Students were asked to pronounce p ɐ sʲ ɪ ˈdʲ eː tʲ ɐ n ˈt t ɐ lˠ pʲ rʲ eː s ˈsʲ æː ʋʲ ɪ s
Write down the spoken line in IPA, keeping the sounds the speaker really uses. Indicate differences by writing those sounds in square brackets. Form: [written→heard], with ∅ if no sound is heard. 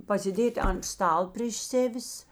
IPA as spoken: p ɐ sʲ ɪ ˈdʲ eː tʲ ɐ n [ˈt→ˈs] t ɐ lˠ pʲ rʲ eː [s→ʃ] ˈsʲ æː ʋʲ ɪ s